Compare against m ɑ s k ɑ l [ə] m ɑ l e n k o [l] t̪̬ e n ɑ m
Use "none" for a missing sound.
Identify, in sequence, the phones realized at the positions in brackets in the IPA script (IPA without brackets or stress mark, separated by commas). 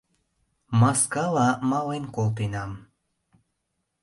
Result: ɑ, l